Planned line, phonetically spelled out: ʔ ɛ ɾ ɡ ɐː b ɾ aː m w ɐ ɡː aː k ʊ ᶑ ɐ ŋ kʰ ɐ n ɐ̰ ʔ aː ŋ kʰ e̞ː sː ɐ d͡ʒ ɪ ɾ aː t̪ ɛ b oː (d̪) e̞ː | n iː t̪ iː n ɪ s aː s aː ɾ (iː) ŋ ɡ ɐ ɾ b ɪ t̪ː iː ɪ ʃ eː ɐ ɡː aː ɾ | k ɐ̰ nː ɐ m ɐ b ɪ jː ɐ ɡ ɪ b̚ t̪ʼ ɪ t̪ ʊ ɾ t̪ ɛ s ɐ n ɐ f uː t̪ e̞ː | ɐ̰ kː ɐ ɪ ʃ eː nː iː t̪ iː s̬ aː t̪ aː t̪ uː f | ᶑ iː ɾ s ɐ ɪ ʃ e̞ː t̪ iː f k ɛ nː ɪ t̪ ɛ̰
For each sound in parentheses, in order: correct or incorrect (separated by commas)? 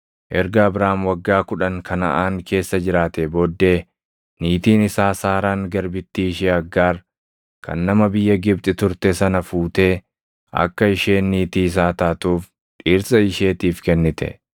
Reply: incorrect, incorrect